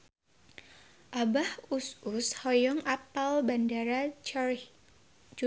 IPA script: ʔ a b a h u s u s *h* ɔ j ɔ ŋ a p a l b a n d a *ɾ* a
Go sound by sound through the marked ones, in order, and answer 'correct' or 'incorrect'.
correct, correct

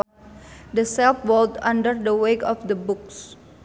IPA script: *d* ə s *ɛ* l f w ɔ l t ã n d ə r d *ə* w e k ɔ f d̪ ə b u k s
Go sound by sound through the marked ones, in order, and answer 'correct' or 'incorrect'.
correct, correct, correct

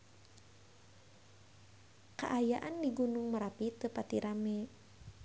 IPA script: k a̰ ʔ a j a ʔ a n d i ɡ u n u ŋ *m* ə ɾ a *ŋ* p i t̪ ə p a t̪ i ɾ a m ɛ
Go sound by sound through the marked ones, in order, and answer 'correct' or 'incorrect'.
correct, incorrect: none

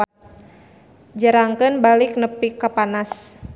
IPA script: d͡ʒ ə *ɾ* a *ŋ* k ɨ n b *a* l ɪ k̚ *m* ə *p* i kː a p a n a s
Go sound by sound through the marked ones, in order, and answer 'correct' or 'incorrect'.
correct, correct, correct, incorrect: n, correct

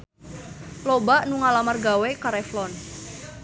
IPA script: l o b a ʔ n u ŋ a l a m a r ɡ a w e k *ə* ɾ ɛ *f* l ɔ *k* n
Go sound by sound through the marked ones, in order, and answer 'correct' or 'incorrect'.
incorrect: a, correct, incorrect: none

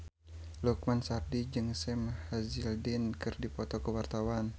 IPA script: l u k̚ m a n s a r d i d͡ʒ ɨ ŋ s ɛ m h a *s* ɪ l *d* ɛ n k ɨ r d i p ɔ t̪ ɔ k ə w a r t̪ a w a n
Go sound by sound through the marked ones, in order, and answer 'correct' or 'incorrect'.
incorrect: z, correct

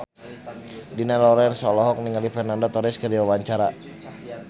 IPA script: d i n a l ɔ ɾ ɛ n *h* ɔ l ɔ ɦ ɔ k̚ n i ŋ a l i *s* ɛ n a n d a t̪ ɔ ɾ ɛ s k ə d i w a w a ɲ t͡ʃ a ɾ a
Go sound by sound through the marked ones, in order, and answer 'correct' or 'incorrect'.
incorrect: s, incorrect: f

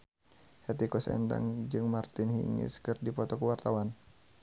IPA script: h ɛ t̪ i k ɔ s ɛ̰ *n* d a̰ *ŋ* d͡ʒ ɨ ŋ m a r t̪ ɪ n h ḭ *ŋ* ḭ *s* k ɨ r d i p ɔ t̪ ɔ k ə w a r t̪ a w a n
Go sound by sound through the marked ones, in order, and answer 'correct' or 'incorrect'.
correct, correct, correct, correct

